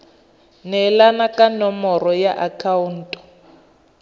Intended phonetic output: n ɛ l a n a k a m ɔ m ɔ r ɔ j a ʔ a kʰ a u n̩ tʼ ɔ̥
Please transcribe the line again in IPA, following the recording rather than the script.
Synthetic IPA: n ɛ l a n a k a n ɔ m ɔ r ɔ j a ʔ a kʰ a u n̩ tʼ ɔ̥